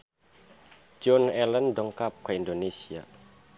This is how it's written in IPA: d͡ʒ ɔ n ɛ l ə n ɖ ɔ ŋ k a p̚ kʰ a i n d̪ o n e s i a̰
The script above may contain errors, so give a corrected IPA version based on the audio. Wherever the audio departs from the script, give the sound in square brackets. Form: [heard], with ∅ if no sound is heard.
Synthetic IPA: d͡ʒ ɔ n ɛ l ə n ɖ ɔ ŋ k a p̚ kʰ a i n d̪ o n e s i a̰